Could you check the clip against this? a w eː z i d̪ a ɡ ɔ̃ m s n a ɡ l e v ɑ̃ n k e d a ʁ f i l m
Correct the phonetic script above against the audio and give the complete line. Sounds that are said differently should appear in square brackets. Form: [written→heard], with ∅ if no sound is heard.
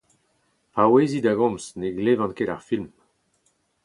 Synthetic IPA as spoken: a w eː z i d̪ a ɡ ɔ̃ m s n [a→e] ɡ l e v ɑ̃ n k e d a ʁ f i l m